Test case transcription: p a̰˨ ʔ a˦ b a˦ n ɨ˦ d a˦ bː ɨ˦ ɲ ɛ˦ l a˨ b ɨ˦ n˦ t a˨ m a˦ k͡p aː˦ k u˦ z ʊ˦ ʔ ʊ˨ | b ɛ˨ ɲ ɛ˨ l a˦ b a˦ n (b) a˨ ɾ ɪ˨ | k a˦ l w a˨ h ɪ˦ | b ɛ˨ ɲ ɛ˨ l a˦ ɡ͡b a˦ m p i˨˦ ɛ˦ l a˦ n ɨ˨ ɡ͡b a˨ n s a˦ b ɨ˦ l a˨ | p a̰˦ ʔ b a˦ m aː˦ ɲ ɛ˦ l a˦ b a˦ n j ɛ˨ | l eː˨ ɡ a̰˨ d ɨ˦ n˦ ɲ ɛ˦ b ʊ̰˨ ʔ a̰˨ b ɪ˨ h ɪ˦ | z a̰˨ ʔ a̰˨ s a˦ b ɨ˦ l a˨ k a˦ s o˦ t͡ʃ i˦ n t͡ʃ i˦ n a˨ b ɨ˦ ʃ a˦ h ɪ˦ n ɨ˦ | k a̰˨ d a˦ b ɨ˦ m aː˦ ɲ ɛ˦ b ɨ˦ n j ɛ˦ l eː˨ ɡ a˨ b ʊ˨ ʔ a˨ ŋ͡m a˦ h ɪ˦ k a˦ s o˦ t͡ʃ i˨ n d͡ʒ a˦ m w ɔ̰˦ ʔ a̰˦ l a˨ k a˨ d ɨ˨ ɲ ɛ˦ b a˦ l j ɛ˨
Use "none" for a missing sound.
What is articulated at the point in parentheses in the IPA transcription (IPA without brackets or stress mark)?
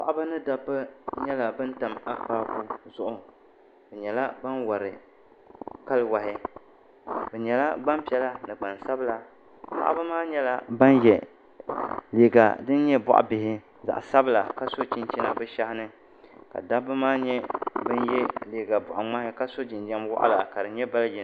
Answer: w